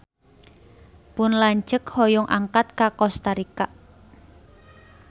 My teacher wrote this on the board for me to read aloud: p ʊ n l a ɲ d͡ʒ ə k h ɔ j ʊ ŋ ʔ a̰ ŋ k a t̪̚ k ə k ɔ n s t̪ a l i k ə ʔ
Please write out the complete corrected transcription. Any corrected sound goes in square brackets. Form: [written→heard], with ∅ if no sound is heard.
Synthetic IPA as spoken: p ʊ n l a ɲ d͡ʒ ə k h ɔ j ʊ ŋ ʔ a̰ ŋ k a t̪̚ k [ə→a] k ɔ [n→∅] s t̪ a [l→ɾ] i k [ə→a] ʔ